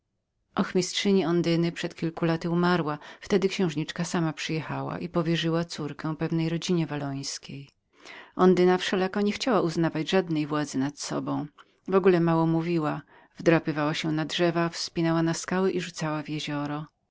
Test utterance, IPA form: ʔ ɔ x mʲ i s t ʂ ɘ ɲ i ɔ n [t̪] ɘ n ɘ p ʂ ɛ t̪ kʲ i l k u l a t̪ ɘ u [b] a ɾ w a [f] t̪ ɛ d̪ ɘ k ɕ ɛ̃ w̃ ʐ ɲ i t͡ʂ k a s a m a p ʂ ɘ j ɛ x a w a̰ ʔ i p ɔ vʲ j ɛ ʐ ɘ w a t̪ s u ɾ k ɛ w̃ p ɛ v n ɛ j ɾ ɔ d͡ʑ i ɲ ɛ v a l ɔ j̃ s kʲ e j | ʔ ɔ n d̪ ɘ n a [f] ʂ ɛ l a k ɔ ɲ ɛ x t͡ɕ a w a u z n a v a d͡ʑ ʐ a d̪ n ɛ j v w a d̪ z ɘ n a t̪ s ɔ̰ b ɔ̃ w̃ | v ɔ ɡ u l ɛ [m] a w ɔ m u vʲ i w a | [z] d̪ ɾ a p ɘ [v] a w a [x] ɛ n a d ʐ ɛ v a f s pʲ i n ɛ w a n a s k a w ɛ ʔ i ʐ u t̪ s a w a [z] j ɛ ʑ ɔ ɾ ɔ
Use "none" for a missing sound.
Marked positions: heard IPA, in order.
d̪, m, f, f, m, v, v, ɕ, v

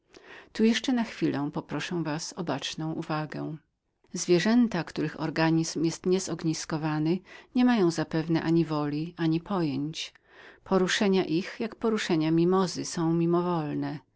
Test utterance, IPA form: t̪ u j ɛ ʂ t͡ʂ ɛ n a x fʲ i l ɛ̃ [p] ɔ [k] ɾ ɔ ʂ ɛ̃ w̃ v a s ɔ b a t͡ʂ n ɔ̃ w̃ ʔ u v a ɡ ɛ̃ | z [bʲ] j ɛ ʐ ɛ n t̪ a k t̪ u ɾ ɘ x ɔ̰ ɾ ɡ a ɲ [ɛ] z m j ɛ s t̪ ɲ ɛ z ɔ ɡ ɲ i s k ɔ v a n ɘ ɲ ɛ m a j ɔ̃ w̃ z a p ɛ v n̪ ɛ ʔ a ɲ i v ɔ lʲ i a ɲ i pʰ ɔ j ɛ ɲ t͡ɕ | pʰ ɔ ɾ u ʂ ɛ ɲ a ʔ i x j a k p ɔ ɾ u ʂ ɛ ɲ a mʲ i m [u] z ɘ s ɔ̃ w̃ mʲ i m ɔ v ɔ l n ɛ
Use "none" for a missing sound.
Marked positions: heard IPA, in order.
p, p, vʲ, i, ɔ

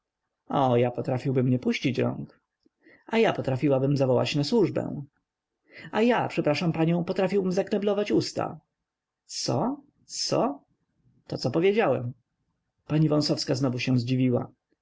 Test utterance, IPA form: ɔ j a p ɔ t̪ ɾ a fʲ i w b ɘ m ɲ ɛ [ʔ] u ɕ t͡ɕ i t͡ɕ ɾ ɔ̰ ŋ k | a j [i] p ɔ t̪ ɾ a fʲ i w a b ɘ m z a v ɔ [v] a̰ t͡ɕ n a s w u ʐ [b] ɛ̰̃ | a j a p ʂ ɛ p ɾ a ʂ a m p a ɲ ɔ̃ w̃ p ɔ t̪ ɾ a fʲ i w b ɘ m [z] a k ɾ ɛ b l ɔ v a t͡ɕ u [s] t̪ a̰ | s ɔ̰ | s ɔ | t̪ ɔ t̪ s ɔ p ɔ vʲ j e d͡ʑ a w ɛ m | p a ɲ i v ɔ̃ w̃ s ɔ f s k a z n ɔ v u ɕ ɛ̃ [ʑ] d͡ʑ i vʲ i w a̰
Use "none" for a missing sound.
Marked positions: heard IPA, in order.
p, a, w, b, z, s, z

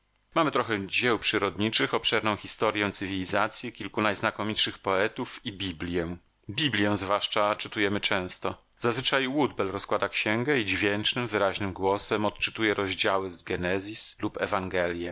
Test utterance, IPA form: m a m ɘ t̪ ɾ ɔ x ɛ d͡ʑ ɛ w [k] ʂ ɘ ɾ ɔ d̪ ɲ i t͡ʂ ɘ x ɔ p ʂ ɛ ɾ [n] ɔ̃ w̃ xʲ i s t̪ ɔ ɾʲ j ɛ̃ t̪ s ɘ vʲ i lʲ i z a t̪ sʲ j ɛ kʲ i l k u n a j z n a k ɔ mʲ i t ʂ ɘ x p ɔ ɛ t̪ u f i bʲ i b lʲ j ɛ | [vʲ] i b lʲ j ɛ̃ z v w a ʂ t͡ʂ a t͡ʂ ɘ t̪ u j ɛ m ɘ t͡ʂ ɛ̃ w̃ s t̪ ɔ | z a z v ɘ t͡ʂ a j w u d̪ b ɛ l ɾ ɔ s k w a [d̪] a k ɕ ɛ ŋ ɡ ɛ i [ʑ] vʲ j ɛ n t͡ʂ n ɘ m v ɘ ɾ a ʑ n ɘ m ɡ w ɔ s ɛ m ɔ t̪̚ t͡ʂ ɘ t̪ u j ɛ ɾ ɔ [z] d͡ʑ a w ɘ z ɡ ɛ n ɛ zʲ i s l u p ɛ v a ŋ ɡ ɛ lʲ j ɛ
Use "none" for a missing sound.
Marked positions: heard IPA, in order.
p, n, bʲ, d̪, d͡ʑ, ʑ

